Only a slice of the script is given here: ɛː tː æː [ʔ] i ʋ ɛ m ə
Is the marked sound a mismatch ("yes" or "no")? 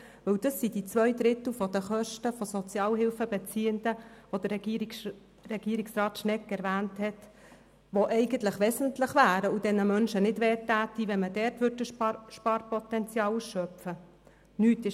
yes